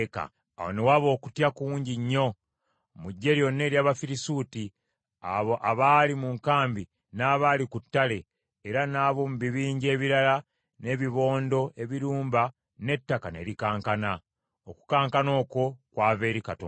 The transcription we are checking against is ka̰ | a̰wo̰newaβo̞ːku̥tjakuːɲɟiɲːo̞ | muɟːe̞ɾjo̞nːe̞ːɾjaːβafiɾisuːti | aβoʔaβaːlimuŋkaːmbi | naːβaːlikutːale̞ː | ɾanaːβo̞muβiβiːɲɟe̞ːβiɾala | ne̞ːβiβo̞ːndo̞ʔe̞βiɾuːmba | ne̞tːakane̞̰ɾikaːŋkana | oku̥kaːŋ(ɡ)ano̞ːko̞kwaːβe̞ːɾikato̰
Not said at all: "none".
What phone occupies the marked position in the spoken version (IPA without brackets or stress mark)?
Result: k